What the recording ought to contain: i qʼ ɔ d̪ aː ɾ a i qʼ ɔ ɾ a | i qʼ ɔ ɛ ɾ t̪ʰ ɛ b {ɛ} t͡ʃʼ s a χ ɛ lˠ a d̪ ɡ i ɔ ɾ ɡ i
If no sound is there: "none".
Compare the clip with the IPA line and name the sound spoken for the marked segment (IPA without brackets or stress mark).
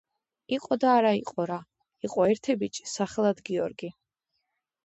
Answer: i